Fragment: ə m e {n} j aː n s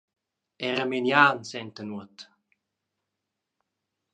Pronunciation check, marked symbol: correct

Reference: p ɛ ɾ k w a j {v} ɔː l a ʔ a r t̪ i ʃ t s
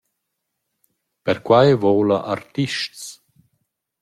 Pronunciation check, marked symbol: correct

